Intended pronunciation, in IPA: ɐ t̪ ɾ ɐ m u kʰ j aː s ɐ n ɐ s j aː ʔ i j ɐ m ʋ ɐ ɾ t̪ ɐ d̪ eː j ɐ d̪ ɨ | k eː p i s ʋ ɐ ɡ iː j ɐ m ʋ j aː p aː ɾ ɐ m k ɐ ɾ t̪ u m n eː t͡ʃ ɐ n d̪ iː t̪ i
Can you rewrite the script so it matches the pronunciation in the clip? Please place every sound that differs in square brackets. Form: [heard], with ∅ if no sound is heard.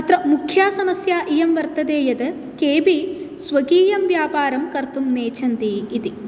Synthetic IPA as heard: ɐ t̪ ɾ ɐ m u kʰ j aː s ɐ [m] ɐ s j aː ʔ i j ɐ m ʋ ɐ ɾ t̪ ɐ d̪ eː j ɐ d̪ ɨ | k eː [b] i s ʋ ɐ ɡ iː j ɐ m ʋ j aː p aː ɾ ɐ m k ɐ ɾ t̪ u m n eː t͡ʃ ɐ n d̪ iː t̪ i